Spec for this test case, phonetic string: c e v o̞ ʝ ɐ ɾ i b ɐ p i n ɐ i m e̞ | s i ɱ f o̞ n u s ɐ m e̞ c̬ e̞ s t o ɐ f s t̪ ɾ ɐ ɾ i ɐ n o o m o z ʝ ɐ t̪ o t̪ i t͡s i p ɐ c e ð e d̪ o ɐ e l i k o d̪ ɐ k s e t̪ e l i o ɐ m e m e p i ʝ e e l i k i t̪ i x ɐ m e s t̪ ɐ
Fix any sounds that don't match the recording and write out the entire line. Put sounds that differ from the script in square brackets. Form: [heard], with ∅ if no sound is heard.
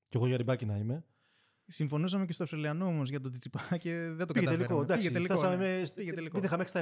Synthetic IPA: c e [ɣ] o̞ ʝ ɐ ɾ i b ɐ [c] i n ɐ i m e̞ | s i ɱ f o̞ n u s ɐ m e̞ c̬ e̞ s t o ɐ f s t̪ ɾ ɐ [l] i ɐ n o o m o z ʝ ɐ t̪ o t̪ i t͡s i p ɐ c e ð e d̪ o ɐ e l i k o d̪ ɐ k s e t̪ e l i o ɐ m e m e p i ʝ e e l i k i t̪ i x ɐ m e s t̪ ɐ